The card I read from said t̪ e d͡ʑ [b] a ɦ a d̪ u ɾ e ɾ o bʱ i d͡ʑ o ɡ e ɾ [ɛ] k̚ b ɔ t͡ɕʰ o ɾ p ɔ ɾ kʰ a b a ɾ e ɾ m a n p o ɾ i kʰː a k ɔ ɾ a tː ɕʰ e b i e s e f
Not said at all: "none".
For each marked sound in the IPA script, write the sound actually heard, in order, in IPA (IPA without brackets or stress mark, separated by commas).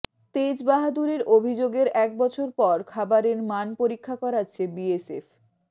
b, ɛ